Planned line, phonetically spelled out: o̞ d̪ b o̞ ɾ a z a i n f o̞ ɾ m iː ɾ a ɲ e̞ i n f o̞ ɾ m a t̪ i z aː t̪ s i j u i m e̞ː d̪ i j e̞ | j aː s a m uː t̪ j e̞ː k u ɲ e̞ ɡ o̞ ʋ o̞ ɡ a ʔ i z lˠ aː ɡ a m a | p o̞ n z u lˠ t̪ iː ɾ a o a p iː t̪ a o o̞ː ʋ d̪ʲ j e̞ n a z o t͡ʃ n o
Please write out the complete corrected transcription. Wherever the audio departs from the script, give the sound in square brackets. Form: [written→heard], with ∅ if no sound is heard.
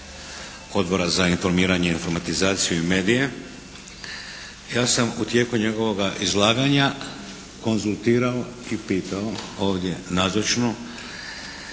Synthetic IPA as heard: o̞ d̪ b o̞ ɾ a z a i n f o̞ ɾ m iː ɾ a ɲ e̞ i n f o̞ ɾ m a t̪ i z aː t̪ s i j u i m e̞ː d̪ i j e̞ | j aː s a m [uː→u] t̪ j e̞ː k u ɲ e̞ ɡ o̞ ʋ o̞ ɡ a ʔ i z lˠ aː ɡ a [m→ɲ] a | [p→k] o̞ n z u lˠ t̪ iː ɾ a o [a→i] p iː t̪ a o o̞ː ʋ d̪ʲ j e̞ n a z o t͡ʃ n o